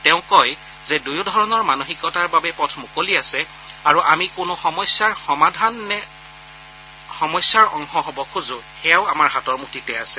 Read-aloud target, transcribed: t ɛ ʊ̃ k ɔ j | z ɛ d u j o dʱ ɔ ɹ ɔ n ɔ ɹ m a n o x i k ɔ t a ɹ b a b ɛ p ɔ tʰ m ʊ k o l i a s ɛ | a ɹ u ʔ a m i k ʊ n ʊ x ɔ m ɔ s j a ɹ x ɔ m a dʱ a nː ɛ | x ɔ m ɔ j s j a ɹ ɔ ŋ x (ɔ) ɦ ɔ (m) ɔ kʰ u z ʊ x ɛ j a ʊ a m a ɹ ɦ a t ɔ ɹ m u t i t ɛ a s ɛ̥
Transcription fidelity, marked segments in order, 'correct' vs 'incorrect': correct, incorrect: b

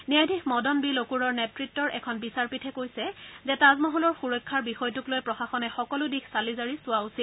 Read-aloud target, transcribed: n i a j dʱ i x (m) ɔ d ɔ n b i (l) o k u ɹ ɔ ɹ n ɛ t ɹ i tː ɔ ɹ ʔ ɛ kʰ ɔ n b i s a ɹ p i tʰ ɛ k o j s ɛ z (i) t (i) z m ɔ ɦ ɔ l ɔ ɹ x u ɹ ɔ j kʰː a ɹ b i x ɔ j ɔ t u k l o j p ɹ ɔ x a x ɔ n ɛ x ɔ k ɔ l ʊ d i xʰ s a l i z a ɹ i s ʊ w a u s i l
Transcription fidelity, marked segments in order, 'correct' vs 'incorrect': correct, correct, incorrect: ɛ, incorrect: a

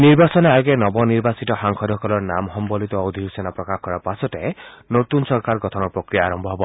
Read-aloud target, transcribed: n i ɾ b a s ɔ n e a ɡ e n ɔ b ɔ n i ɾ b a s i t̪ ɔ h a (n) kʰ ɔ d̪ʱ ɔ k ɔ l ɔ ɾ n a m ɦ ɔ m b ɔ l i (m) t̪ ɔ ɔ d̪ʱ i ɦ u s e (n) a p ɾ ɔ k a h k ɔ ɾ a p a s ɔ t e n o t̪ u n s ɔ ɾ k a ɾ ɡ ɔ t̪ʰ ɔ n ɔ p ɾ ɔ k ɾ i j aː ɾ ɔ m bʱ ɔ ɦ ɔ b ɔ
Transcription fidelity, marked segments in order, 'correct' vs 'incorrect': incorrect: ŋ, incorrect: none, correct

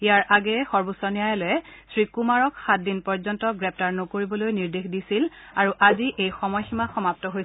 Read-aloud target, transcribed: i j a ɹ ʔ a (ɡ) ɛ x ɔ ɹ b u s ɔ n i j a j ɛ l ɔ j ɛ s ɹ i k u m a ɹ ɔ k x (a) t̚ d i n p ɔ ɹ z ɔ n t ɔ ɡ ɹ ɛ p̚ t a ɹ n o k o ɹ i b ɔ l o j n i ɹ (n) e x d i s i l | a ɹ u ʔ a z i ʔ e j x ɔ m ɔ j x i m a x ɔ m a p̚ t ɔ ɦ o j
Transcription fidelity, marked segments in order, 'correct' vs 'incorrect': correct, correct, incorrect: d

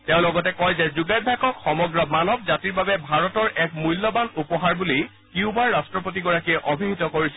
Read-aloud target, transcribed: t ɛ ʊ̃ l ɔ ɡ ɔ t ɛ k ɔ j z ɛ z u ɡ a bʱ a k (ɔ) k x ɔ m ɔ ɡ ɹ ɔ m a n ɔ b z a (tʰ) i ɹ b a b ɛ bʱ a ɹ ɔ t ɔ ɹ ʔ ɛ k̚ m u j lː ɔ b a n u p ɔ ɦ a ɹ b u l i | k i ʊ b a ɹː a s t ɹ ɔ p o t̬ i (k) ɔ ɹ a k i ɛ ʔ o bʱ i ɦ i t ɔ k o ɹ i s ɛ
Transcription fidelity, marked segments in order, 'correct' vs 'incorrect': correct, incorrect: t, incorrect: ɡ

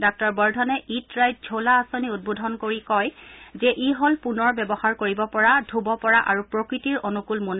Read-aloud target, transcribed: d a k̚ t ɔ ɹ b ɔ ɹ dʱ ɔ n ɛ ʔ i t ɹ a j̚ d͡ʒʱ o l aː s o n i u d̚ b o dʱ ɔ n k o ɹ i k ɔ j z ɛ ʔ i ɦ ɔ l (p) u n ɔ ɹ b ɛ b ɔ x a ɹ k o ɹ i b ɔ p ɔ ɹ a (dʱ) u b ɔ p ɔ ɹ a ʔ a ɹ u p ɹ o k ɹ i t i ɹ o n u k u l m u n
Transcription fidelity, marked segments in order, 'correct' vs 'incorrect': correct, correct

